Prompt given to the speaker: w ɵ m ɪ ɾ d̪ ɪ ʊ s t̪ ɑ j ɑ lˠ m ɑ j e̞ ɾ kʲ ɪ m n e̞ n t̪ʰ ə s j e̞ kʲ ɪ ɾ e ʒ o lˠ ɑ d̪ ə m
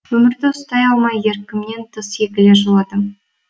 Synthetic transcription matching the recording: w ɵ m ɪ ɾ d̪ ɪ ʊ s t̪ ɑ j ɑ lˠ m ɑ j e̞ ɾ kʲ ɪ m n e̞ n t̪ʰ ə s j e̞ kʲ ɪ l e ʒ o lˠ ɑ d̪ ə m